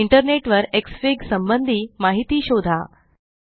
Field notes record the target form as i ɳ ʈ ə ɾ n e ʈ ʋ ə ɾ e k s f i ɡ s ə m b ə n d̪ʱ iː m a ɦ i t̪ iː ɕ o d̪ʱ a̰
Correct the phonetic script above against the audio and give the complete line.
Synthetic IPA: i ɳ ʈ ə ɾ n e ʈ ʋ ə ɾ e k s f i ɡ s ə m b ə n d̪ʱ iː m a ɦ i t̪ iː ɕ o d̪ʱ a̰

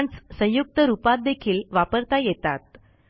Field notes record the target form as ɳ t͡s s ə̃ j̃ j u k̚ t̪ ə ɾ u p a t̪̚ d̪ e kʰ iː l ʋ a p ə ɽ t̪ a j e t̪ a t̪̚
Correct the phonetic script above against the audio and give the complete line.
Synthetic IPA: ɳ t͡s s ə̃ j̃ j u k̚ t̪ ə ɾ u p a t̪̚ d̪ e kʰ iː l ʋ a p ə ɾ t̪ a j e t̪ a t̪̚

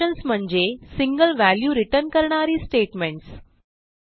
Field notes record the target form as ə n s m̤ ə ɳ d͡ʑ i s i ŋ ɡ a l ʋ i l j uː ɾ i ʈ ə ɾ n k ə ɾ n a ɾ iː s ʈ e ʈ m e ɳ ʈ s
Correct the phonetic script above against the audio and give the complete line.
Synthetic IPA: ə n s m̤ ə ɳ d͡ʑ e s i ŋ ɡ ə l ʋ æ l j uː ɾ i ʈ ə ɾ n k ə ɾ ɳ a ɾ iː s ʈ e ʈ m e ɳ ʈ s

